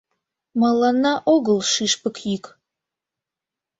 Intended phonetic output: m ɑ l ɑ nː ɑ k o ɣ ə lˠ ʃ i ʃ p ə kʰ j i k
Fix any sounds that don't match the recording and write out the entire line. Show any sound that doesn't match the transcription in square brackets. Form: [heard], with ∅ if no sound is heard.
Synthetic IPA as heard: m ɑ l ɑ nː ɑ [ʔ] o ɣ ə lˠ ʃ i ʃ p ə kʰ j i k